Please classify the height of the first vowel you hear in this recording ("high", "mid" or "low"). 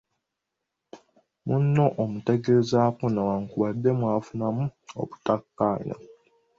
high